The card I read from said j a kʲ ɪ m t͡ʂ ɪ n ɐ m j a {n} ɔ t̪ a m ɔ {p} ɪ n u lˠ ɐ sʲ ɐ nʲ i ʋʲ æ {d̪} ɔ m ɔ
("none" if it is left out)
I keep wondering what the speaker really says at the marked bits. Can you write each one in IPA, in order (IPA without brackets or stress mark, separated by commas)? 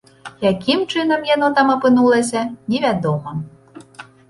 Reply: n, p, d̪